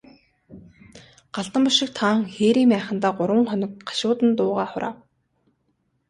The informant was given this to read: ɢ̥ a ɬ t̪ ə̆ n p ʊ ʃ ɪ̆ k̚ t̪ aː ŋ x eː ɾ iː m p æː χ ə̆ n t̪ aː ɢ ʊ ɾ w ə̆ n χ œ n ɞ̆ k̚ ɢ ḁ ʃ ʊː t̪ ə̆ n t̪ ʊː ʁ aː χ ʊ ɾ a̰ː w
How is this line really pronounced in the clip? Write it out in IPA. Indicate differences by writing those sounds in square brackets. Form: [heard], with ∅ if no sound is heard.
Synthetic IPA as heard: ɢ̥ a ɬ t̪ ə̆ [m] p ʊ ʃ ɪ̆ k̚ [t̪ʰ] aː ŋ x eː ɾ iː m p æː χ ə̆ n t̪ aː ɢ ʊ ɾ w ə̆ [ŋ] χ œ n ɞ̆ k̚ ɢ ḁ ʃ ʊː t̪ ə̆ n t̪ ʊː ʁ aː χ ʊ ɾ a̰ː w